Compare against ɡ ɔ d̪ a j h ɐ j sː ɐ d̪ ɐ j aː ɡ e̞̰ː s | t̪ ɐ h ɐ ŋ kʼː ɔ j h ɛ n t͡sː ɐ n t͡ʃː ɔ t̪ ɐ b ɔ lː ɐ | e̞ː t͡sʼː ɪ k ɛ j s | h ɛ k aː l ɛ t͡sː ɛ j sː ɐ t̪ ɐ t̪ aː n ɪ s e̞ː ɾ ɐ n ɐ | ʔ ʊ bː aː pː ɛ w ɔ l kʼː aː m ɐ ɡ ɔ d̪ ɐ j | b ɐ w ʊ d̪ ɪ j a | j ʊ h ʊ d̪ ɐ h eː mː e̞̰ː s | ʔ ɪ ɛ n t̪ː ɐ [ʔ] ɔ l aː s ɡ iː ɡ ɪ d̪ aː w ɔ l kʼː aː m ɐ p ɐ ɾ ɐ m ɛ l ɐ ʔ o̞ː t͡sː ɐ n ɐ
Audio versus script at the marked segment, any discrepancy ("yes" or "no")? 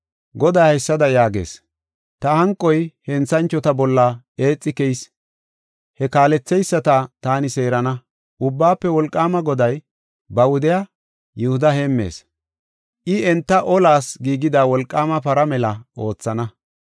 no